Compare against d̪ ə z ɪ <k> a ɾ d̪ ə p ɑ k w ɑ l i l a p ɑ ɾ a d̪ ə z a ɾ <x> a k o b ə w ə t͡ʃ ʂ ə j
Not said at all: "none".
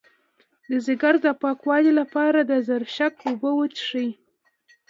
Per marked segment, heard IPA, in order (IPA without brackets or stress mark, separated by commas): ɡ, ʃ